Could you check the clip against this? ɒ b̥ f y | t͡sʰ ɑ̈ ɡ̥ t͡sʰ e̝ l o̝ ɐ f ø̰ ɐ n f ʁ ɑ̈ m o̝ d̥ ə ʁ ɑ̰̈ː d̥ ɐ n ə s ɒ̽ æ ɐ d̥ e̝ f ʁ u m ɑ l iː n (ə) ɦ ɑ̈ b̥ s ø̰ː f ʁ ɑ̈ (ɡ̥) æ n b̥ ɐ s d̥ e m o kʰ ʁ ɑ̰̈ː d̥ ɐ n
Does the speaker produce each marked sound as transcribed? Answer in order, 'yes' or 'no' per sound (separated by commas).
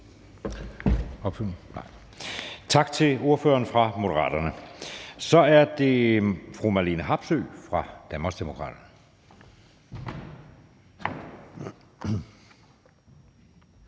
yes, no